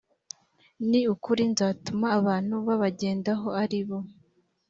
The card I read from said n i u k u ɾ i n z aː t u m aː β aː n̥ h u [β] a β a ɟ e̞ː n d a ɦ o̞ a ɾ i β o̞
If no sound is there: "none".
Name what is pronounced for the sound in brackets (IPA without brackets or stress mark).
β